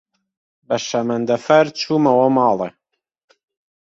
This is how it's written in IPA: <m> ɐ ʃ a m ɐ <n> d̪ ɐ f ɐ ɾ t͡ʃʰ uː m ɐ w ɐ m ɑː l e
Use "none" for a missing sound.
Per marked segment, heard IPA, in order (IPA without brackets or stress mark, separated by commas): b, n